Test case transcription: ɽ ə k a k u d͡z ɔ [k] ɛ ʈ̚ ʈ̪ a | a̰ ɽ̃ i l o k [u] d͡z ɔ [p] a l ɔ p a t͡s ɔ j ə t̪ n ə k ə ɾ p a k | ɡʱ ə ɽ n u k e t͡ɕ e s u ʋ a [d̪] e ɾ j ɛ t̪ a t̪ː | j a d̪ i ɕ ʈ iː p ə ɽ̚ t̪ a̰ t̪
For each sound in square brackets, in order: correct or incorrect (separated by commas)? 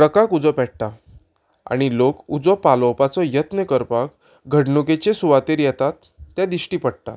incorrect, correct, correct, incorrect